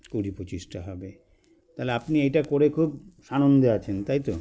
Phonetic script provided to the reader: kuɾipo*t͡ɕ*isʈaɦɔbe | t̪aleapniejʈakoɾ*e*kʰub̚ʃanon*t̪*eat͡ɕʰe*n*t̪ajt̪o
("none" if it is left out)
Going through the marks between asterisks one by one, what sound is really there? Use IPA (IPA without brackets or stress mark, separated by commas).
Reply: t͡ɕ, e, d̪, n